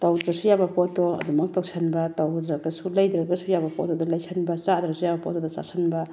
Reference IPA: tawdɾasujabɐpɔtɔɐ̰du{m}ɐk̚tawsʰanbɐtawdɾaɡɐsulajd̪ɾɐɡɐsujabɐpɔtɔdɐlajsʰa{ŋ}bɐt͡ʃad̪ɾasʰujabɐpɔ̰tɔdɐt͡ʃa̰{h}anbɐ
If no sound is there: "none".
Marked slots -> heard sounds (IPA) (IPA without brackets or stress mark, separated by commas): m, n, s